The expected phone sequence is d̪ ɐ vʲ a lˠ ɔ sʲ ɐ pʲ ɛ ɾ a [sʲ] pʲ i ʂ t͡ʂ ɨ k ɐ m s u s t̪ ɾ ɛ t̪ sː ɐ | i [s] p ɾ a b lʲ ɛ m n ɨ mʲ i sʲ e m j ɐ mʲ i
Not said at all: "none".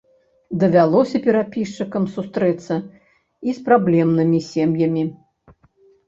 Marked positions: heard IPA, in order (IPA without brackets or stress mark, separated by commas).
none, s